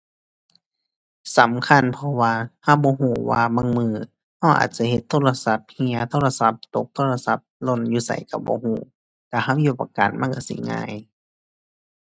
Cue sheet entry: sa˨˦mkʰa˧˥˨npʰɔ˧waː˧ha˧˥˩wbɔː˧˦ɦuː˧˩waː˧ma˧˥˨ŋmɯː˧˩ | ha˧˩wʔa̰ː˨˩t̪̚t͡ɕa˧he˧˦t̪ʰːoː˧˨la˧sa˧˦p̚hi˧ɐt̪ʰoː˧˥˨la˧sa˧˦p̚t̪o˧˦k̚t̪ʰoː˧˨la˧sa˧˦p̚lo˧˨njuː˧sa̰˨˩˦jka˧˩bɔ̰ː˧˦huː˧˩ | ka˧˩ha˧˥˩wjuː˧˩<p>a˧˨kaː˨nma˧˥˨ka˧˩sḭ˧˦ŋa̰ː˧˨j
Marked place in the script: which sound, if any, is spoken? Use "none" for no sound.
p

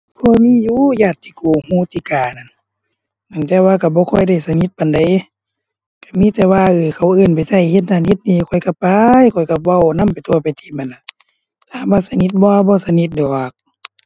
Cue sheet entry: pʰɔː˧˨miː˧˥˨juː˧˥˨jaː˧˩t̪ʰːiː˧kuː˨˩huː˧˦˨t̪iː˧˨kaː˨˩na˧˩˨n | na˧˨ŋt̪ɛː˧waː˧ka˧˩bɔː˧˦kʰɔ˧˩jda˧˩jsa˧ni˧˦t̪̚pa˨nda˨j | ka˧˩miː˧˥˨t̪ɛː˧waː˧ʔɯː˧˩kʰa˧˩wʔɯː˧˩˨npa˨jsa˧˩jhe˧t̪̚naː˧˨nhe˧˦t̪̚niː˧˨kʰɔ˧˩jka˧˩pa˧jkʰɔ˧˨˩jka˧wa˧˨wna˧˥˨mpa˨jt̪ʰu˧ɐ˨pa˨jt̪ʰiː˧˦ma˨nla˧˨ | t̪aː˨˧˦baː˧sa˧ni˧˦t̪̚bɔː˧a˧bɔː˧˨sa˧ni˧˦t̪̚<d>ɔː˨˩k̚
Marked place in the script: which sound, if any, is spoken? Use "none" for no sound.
d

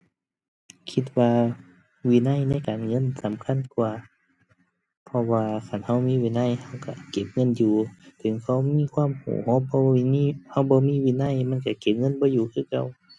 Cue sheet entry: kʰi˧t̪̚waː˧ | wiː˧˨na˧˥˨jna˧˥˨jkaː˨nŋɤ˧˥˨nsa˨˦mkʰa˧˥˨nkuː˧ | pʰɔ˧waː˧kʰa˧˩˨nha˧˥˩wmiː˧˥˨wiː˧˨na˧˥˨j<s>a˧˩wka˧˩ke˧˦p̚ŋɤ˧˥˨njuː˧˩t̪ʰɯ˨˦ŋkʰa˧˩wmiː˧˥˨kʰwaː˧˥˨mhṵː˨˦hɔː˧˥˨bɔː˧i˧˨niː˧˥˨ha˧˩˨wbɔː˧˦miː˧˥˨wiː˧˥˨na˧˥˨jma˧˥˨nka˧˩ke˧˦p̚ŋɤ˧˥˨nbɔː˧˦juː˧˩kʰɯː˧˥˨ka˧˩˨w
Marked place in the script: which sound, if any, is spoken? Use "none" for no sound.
h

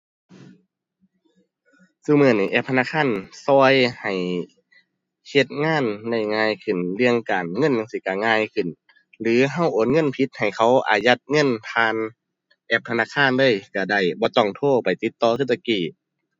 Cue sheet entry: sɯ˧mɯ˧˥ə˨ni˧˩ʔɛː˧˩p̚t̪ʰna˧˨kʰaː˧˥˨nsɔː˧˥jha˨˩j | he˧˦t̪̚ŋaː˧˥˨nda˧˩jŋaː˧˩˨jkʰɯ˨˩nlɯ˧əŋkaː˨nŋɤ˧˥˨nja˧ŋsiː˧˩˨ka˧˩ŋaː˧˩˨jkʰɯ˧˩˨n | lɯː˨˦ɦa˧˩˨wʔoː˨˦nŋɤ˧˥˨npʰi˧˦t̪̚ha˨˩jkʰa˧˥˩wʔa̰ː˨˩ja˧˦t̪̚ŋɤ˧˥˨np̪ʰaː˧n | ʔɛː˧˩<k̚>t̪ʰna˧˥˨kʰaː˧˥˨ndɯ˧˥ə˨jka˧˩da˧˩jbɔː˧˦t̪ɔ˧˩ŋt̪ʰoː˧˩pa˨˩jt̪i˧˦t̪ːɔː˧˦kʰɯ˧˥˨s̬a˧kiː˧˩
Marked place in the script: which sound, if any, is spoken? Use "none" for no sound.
p̚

